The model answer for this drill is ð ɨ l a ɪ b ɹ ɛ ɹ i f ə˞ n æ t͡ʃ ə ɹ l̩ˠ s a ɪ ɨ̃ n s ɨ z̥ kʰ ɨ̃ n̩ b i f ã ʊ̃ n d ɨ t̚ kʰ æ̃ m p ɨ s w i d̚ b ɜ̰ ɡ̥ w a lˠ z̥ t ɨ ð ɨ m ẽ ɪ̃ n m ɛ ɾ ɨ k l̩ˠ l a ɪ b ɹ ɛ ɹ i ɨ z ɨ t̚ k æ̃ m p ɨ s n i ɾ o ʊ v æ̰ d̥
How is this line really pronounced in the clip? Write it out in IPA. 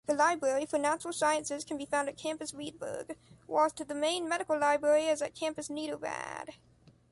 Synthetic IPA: ð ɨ l a ɪ b ɹ ɛ ɹ i f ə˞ n æ t͡ʃ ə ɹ l̩ˠ s a ɪ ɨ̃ n s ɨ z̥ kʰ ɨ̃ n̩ b i f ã ʊ̃ n d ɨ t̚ kʰ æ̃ m p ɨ s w i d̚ b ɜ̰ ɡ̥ w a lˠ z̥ t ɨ ð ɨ m ẽ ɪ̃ n m ɛ ɾ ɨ k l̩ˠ l a ɪ b ɹ ɛ ɹ i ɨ z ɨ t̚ kʰ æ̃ m p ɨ s n i ɾ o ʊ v æ̰ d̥